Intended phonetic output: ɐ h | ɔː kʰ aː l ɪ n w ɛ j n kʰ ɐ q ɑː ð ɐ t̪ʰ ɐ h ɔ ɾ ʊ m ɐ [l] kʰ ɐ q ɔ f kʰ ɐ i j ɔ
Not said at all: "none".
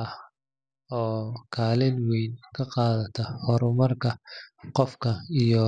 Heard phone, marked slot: r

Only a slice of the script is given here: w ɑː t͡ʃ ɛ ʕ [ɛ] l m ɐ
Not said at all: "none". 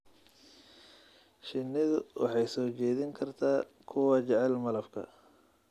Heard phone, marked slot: ɛ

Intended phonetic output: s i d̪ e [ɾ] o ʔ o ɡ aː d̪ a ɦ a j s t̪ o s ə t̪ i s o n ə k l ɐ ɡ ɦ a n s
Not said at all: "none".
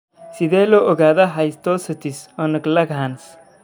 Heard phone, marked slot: l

